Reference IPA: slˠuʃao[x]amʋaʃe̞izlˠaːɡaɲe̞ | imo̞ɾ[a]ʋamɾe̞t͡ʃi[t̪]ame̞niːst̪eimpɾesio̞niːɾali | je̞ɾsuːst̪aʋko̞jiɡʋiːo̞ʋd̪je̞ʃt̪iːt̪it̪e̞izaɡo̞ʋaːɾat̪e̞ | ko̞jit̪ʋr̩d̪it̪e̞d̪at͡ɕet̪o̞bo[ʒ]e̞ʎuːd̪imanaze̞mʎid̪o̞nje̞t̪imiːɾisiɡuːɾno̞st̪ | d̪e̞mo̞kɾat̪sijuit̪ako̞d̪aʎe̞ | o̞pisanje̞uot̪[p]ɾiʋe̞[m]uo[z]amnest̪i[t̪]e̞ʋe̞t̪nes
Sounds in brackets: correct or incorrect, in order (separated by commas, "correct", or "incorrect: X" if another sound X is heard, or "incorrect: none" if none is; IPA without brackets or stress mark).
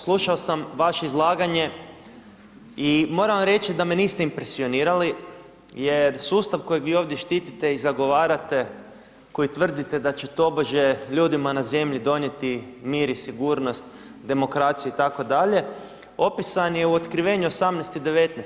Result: incorrect: s, correct, incorrect: d̪, correct, incorrect: k, incorrect: ɲ, incorrect: s, incorrect: d̪